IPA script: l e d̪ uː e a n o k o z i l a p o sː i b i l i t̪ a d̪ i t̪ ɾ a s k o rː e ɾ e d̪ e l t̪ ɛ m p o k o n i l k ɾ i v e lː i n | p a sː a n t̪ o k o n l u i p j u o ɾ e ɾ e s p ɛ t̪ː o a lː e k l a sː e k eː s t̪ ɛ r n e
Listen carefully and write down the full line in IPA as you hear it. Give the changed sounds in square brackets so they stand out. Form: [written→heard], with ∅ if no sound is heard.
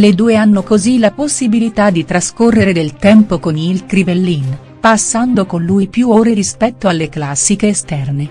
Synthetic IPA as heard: l e d̪ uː e a [n→nː] o k o z i l a p o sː i b i l i t̪ a d̪ i t̪ ɾ a s k o rː e ɾ e d̪ e l t̪ ɛ m p o k o n i l k ɾ i v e lː i n | p a sː a n [t̪→d̪] o k o n l u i p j u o ɾ e ɾ [e→i] s p ɛ t̪ː o a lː e k l a sː [e→i] k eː s t̪ ɛ r n e